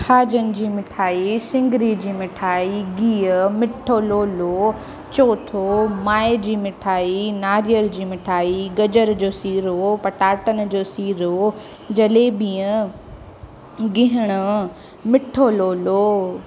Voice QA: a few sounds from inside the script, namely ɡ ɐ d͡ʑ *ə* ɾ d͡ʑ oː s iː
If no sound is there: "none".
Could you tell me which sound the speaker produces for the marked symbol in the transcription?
ə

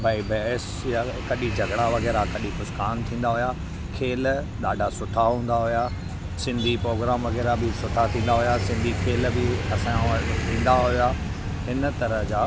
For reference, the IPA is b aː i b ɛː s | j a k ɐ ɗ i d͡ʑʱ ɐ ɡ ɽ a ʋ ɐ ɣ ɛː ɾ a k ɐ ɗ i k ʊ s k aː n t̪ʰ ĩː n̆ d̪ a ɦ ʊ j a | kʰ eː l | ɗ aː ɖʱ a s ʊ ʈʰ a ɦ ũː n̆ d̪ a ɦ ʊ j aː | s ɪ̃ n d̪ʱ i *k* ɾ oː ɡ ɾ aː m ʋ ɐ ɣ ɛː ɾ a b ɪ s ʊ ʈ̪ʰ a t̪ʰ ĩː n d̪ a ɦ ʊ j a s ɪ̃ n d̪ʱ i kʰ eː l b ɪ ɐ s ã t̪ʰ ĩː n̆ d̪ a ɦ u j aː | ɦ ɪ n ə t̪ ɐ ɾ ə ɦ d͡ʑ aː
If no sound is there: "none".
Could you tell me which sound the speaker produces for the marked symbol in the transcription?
p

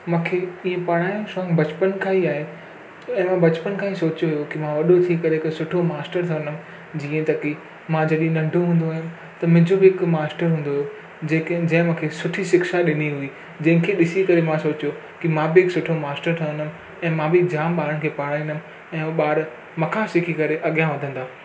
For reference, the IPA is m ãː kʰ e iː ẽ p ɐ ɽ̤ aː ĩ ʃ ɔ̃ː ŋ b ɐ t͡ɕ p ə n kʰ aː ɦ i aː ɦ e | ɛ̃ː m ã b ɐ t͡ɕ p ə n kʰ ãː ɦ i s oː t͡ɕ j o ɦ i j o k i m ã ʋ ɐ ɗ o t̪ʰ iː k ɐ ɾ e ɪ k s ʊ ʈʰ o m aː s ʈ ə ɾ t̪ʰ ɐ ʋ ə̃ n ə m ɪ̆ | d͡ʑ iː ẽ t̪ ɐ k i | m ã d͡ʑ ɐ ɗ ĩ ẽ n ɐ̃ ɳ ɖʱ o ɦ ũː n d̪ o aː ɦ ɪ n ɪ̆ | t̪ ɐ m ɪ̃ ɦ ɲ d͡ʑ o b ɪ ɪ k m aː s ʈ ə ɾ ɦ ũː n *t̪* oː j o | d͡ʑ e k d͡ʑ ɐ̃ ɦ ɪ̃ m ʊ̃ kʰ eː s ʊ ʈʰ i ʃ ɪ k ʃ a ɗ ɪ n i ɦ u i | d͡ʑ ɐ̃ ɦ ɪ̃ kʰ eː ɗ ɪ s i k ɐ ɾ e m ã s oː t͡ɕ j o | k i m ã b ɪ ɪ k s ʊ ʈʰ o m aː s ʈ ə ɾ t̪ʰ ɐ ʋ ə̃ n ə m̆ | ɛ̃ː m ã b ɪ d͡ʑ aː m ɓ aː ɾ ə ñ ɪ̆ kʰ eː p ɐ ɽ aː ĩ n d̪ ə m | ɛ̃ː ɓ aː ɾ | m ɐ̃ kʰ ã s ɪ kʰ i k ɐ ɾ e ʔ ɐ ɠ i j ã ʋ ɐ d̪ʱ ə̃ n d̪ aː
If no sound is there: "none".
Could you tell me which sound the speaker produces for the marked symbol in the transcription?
d̪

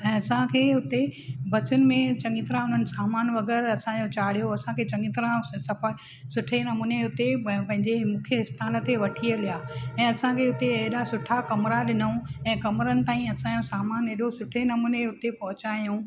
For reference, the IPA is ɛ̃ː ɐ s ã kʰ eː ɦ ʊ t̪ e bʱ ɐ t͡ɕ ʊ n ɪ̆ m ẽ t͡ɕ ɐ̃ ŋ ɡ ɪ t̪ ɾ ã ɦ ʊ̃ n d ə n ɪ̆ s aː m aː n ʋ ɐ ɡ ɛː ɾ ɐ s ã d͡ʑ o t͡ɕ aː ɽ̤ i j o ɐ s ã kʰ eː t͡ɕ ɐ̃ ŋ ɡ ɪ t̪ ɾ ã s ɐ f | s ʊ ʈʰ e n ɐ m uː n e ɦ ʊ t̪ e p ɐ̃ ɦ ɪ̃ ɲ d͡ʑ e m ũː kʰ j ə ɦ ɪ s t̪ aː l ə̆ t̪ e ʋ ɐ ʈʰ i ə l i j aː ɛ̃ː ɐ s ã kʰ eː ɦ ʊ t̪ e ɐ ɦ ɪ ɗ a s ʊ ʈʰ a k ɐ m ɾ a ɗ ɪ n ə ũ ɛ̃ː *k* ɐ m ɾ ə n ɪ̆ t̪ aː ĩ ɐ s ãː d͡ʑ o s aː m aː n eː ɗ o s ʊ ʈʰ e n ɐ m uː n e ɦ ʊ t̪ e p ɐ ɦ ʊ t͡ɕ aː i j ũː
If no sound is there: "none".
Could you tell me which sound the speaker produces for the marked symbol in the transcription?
k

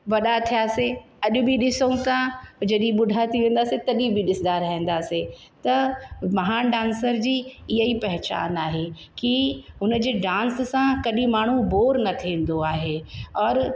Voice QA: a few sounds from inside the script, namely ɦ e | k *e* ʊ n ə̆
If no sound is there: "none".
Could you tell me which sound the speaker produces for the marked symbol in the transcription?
i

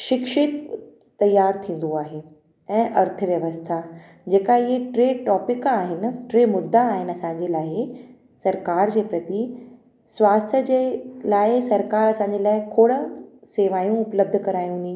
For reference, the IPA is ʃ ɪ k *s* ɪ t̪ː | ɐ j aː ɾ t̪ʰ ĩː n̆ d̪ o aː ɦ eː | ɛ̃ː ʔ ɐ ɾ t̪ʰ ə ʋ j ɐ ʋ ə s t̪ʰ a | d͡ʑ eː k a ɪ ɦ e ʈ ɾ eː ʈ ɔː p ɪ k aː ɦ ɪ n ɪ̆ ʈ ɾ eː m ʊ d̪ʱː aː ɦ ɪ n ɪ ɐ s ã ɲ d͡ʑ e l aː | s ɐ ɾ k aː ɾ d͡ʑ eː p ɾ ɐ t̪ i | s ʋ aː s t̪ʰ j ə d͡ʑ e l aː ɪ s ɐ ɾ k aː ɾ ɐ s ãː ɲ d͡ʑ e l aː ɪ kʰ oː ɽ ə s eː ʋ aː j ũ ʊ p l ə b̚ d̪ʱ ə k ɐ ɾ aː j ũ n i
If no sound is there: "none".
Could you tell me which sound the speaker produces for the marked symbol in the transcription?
ʃ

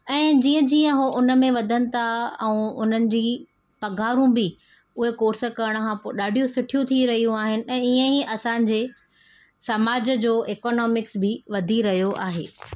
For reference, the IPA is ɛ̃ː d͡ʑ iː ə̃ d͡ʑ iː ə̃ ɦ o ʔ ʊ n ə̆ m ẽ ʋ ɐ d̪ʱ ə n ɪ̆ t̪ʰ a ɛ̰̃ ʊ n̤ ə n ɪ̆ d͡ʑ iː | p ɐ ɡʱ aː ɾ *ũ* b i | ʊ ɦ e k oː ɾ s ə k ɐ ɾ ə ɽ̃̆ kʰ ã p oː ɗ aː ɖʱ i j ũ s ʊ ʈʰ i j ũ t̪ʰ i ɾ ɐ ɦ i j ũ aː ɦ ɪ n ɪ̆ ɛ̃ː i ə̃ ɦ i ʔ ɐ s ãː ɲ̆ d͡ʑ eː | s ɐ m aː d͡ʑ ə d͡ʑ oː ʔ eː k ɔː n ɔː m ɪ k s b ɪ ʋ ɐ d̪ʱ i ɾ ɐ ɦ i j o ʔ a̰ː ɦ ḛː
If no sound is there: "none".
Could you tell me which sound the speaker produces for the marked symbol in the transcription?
ũ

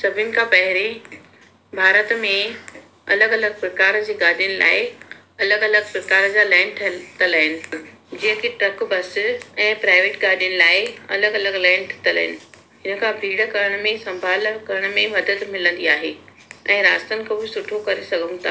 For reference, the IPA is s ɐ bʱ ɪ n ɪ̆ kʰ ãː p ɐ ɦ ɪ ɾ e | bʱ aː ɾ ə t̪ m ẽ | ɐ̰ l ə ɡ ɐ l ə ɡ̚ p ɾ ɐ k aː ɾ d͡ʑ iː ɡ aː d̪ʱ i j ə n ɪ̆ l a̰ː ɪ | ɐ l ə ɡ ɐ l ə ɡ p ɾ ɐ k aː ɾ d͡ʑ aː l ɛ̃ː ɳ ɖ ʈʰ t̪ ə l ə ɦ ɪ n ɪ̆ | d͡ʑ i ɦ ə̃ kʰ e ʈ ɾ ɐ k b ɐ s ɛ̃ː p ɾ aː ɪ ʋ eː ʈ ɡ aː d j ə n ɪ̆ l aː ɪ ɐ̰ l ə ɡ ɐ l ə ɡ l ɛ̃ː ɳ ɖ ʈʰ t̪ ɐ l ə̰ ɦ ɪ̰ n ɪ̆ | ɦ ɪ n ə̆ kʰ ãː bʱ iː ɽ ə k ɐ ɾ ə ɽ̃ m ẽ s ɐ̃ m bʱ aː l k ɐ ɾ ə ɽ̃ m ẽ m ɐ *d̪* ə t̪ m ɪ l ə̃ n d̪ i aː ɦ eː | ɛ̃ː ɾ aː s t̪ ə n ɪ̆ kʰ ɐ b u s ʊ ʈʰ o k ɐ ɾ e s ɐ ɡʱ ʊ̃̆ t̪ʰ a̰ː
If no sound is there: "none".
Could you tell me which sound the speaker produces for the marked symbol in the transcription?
d̪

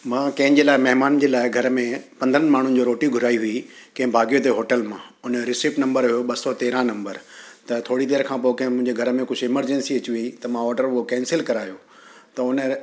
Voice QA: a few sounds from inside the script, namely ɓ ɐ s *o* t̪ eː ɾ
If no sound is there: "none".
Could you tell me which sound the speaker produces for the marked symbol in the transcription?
ɔ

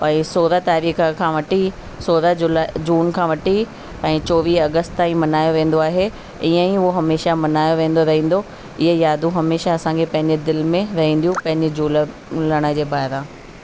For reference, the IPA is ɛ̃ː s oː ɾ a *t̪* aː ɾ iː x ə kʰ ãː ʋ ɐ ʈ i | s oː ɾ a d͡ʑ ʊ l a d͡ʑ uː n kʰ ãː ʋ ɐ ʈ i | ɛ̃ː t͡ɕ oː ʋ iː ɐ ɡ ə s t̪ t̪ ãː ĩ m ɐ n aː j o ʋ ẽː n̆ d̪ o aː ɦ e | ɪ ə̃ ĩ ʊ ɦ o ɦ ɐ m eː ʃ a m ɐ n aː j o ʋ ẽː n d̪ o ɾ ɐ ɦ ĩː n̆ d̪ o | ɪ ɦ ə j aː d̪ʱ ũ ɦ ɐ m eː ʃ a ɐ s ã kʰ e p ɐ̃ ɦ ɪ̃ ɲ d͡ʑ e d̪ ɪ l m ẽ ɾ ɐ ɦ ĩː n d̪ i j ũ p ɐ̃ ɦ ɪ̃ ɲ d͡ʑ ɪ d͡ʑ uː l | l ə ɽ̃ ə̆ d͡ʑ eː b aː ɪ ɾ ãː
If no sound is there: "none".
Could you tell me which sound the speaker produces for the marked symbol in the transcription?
t̪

